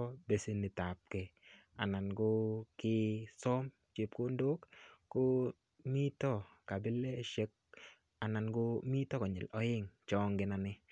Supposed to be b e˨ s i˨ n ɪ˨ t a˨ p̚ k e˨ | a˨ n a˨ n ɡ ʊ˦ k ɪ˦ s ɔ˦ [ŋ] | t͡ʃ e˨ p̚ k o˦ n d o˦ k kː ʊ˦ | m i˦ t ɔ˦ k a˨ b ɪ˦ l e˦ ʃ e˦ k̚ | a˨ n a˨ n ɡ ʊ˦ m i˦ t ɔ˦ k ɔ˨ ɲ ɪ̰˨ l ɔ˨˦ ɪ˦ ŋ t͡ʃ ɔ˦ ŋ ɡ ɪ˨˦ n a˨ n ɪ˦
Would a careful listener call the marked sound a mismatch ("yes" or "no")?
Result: yes